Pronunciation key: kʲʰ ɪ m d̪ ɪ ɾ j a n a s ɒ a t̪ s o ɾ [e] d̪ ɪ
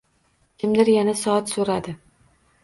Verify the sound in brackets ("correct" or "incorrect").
incorrect